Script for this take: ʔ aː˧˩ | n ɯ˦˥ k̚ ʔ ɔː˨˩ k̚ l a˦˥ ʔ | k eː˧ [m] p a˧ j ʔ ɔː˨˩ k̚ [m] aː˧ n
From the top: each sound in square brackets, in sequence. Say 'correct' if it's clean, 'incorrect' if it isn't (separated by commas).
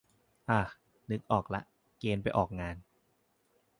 incorrect, incorrect